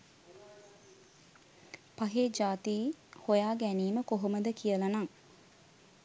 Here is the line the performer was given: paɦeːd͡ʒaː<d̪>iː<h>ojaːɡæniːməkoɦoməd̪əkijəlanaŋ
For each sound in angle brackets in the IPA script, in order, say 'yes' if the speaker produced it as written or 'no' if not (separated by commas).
no, yes